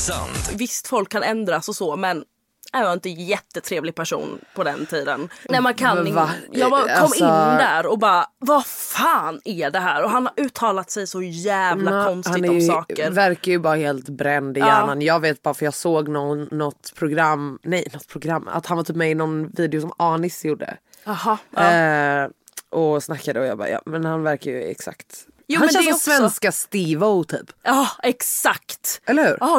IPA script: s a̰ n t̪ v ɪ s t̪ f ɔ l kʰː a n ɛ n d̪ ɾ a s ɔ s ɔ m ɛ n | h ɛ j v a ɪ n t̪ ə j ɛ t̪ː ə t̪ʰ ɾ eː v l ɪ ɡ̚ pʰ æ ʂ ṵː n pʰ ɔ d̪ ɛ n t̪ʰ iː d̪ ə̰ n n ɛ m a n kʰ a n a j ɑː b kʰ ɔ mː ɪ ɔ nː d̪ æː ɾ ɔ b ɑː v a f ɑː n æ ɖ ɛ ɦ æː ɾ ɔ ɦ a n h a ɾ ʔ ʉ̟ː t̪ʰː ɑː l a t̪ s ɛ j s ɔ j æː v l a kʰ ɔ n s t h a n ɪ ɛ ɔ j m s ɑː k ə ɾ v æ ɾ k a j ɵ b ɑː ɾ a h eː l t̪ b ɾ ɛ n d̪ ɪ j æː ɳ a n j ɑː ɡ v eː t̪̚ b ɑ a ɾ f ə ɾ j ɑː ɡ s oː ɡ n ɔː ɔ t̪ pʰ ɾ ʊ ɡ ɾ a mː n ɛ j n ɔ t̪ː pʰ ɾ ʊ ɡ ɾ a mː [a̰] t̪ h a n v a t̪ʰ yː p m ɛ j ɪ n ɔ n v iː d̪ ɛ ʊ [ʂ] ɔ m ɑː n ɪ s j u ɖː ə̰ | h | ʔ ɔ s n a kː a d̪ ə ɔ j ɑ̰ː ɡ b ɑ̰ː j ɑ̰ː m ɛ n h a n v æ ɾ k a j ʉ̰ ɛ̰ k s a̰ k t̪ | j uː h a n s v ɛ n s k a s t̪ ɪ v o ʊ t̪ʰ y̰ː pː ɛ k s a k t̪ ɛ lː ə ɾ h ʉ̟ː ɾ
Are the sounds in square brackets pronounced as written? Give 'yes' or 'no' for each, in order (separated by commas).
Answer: yes, no